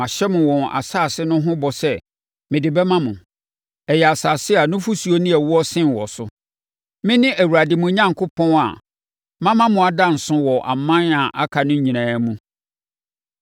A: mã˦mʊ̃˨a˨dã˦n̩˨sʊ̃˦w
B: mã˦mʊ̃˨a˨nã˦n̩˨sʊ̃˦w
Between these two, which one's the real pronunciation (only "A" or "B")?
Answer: A